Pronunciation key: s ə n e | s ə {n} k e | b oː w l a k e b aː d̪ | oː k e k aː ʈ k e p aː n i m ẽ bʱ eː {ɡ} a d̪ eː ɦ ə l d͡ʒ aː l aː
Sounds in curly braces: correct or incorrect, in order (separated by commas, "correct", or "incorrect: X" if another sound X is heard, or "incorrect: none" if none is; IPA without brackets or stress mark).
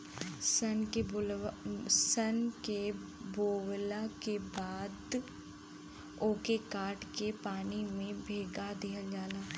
correct, correct